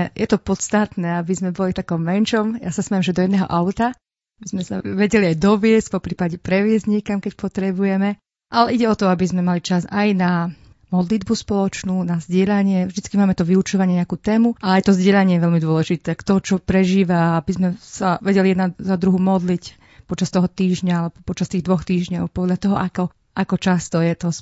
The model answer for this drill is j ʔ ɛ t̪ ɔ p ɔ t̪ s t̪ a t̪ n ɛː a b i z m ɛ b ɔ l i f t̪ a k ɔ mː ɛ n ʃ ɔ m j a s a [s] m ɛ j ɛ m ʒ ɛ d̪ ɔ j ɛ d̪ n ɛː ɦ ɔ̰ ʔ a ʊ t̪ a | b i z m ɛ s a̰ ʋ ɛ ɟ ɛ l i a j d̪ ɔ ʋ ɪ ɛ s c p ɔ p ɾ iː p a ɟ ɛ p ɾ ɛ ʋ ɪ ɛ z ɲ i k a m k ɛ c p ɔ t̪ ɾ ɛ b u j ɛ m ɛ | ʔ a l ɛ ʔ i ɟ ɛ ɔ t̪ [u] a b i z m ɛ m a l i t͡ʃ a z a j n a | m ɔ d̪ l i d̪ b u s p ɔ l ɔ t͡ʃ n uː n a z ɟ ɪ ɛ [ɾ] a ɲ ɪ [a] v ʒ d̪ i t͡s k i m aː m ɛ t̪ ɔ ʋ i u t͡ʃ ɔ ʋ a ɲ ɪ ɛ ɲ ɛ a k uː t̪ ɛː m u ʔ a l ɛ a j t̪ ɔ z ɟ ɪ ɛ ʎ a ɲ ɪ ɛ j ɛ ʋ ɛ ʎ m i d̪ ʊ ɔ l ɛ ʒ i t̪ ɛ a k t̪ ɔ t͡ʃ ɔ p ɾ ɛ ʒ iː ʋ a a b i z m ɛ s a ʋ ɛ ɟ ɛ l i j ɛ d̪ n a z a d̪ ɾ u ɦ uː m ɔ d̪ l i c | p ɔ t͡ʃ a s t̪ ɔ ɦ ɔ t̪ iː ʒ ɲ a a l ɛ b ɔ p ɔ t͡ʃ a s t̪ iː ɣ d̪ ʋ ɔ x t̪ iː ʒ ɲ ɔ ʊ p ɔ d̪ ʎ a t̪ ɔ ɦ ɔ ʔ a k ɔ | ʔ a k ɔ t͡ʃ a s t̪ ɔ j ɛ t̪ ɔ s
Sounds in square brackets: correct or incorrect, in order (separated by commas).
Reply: correct, incorrect, incorrect, incorrect